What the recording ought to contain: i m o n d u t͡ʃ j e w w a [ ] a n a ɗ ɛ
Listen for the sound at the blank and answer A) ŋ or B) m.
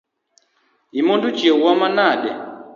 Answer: B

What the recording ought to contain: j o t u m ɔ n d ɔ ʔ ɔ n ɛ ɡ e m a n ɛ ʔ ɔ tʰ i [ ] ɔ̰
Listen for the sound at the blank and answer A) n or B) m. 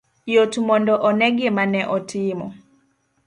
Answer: B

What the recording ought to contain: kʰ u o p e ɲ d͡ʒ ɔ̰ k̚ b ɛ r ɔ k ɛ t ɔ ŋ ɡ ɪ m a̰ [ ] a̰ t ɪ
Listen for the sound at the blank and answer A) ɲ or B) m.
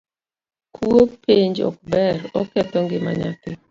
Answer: A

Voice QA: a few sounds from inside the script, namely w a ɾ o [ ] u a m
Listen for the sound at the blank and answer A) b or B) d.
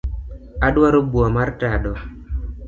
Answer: A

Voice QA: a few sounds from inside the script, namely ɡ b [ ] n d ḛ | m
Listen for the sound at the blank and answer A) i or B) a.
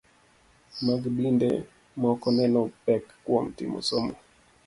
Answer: A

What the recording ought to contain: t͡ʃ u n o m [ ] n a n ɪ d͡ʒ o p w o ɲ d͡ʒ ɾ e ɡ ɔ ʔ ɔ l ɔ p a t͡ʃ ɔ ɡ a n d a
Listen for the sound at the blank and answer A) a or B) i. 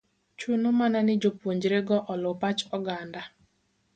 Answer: A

